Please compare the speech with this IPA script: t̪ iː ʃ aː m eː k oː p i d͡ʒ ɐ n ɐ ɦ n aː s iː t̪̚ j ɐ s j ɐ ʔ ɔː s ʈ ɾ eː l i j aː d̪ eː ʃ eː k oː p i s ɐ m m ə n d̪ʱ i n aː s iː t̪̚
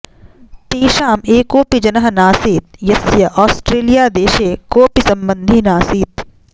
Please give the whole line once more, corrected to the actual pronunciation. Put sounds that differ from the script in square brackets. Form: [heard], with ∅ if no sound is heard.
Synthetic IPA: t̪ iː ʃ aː m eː k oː p i d͡ʒ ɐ n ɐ ɦ n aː s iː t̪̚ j ɐ s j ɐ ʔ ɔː s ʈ ɾ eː l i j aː d̪ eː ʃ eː k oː p i s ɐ m [b] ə n d̪ʱ i n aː s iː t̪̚

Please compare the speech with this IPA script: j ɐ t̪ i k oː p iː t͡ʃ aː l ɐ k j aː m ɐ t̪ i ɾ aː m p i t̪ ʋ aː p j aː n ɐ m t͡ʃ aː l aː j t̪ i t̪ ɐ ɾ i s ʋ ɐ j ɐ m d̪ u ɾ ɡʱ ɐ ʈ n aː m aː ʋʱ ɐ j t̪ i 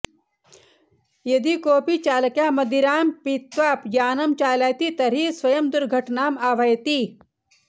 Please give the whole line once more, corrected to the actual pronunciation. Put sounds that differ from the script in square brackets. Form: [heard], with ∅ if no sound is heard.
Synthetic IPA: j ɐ [d̪] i k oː p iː t͡ʃ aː l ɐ k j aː m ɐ [d̪] i ɾ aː m p i t̪ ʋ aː p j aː n ɐ m t͡ʃ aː l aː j t̪ i t̪ ɐ ɾ i s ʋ ɐ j ɐ m d̪ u ɾ ɡʱ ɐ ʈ n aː m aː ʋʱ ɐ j t̪ i

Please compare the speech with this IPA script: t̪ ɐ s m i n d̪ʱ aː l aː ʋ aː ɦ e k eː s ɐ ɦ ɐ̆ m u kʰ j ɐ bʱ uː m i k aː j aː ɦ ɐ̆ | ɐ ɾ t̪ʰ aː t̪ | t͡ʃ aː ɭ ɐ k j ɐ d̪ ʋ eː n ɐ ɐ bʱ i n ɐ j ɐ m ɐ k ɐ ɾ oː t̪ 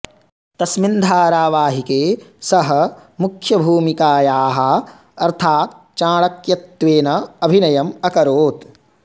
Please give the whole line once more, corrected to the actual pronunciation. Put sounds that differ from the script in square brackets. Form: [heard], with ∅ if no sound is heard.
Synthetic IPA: t̪ ɐ s m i n d̪ʱ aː [ɾ] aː ʋ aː ɦ [i] k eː s ɐ ɦ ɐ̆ m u kʰ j ɐ bʱ uː m i k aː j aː ɦ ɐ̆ | ɐ ɾ t̪ʰ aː t̪ | t͡ʃ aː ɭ ɐ k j ɐ [t̪] ʋ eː n ɐ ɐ bʱ i n ɐ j ɐ m ɐ k ɐ ɾ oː t̪

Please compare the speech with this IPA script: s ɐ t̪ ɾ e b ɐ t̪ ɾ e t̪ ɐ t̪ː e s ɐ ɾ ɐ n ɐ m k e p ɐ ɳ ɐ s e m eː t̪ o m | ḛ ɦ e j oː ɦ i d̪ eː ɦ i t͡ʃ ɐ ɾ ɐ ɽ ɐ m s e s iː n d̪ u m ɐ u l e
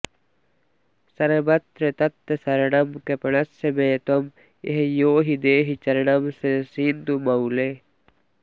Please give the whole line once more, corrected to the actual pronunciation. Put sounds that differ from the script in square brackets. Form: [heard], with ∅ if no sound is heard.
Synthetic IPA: s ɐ [∅] ɾ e b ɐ t̪ ɾ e t̪ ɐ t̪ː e s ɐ ɾ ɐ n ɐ m k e p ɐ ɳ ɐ s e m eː t̪ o m | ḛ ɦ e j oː ɦ i d̪ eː ɦ i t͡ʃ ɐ ɾ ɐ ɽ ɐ m s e s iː n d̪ u m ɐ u l e

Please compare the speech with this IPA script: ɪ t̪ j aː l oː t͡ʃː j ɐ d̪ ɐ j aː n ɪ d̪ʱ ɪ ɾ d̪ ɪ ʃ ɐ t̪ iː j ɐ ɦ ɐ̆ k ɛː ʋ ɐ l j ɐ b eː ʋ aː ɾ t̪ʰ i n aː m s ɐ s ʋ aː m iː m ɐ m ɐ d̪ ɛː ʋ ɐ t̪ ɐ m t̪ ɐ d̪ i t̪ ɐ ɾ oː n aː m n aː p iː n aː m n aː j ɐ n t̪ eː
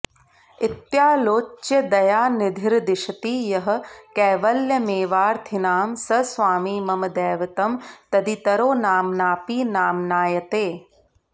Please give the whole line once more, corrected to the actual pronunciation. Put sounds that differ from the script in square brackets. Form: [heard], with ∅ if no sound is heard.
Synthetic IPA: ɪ t̪ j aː l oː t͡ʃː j ɐ d̪ ɐ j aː n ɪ d̪ʱ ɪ ɾ d̪ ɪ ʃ ɐ t̪ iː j ɐ ɦ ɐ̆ k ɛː ʋ ɐ l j ɐ [m] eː ʋ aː ɾ t̪ʰ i n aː m s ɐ s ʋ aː m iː m ɐ m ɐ d̪ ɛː ʋ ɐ t̪ ɐ m t̪ ɐ d̪ i t̪ ɐ ɾ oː n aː m n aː p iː n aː m n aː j ɐ [∅] t̪ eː

